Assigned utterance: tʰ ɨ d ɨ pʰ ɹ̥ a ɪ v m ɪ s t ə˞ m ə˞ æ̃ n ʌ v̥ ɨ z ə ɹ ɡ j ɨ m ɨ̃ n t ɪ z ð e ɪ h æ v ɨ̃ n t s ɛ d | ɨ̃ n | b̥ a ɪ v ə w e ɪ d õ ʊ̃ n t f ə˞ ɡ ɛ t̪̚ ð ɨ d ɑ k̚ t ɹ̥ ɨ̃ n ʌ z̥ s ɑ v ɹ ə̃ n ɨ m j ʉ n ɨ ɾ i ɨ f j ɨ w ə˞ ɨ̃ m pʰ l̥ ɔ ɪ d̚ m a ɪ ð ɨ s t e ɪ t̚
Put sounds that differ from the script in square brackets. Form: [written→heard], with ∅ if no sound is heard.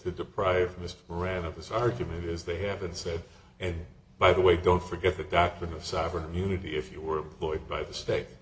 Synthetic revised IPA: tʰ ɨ d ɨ pʰ ɹ̥ a ɪ v m ɪ s t ə˞ m ə˞ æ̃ n ʌ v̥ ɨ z [ə→ɑ] ɹ ɡ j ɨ m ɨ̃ n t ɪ z ð e ɪ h æ v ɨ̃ n t s ɛ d | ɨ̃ n | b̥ a ɪ [v→ð] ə w e ɪ d õ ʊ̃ n t f ə˞ ɡ ɛ t̪̚ ð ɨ d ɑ k̚ t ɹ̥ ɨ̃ n ʌ [z̥→v̥] s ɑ v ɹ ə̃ n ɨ m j ʉ n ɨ ɾ i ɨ f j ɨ w ə˞ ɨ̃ m pʰ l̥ ɔ ɪ d̚ [m→b] a ɪ ð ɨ s t e ɪ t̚